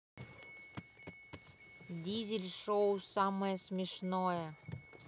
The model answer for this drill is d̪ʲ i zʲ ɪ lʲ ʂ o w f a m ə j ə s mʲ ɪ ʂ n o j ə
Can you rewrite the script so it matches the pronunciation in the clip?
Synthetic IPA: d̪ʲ i zʲ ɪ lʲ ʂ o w s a m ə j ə s mʲ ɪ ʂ n o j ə